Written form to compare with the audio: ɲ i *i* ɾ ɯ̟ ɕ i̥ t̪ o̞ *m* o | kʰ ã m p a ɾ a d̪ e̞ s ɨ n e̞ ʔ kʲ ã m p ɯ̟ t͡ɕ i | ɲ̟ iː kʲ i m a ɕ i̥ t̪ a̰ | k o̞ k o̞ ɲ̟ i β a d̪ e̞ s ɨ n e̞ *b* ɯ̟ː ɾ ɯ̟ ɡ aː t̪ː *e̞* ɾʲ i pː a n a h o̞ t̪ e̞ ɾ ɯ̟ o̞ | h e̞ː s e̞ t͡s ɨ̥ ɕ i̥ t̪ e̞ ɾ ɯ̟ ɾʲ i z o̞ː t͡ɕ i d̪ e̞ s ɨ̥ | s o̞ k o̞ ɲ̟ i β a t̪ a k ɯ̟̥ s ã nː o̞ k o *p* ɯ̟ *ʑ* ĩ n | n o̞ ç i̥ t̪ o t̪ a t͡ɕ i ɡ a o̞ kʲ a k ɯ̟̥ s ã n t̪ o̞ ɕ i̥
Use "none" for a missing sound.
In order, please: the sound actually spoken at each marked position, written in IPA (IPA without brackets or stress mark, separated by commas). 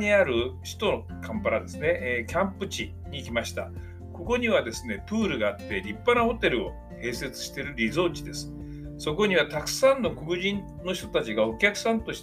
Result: a, n, p, e̞, k, ʑ